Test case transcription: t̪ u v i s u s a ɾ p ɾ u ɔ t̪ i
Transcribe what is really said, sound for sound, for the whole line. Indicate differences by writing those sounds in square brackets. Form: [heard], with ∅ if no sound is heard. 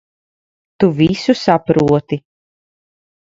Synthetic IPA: t̪ u v i s u s a [∅] p ɾ u ɔ t̪ i